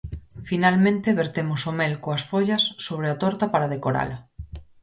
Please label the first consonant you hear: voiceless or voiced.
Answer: voiceless